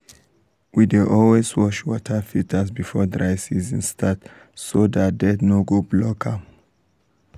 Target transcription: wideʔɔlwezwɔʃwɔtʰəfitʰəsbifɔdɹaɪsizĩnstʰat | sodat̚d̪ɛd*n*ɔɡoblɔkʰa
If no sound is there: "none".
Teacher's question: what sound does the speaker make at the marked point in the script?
n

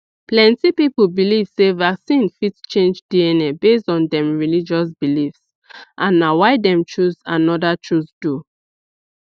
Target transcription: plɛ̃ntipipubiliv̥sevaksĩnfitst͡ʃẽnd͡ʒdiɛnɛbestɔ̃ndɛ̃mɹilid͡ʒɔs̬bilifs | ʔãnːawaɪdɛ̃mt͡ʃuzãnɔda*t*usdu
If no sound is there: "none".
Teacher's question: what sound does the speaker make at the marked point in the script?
t͡ʃ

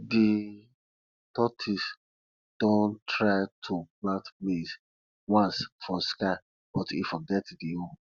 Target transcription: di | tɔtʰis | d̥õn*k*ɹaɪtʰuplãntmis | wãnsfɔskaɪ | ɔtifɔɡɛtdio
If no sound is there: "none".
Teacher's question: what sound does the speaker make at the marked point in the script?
t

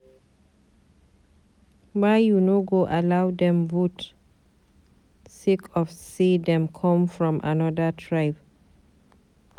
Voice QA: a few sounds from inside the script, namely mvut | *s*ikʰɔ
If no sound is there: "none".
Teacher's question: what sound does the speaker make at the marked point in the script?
s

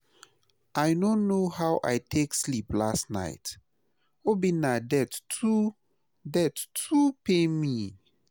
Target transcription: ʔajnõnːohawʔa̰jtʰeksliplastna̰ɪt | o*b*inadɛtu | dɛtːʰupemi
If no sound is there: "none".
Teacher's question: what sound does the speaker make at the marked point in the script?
b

